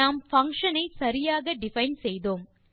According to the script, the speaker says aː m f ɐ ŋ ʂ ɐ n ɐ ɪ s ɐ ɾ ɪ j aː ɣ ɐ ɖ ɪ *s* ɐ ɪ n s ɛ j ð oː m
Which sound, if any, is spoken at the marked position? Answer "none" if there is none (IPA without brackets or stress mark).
f